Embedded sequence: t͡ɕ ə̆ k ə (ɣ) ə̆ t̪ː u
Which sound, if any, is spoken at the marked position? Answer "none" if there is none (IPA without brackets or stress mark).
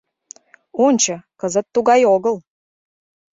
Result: z